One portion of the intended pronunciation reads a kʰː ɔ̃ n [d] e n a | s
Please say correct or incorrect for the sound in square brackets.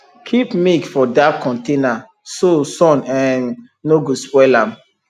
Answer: incorrect